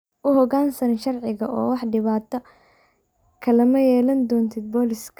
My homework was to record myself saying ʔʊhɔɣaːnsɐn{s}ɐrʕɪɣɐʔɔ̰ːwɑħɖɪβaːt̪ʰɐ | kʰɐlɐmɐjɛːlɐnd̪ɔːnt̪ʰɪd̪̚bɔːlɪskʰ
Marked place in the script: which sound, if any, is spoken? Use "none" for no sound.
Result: ʃ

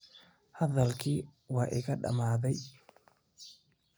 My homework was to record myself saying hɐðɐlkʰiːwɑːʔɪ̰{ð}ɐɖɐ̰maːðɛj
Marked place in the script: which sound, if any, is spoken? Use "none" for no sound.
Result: ɣ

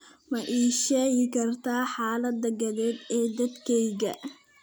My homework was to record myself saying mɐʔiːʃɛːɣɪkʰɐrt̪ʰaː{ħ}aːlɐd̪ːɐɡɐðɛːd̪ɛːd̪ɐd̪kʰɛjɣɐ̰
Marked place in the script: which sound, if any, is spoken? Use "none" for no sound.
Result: ħ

